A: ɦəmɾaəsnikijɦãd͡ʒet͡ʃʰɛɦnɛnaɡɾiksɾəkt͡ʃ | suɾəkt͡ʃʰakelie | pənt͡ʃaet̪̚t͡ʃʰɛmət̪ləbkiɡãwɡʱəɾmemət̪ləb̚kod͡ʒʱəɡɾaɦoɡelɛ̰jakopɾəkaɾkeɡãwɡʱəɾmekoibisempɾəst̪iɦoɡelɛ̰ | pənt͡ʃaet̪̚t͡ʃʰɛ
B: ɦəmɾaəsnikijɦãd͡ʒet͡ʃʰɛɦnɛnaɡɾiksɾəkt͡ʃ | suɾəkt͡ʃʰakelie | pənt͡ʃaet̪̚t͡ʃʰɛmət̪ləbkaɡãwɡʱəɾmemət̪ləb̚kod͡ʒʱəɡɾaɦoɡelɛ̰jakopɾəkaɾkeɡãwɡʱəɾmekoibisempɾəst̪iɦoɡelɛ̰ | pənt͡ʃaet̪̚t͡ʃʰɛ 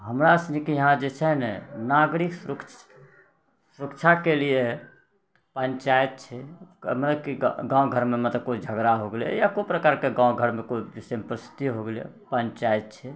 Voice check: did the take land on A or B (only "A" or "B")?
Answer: A